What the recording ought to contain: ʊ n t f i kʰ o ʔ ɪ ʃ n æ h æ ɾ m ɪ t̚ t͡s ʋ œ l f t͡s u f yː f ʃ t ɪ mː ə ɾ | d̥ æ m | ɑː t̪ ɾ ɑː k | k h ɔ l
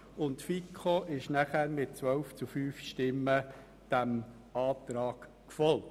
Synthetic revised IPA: ʊ n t f i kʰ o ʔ ɪ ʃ n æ χ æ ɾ m ɪ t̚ t͡s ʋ œ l f t͡s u f yː f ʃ t ɪ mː ə | d̥ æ m | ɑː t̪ ɾ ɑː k | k f ɔ l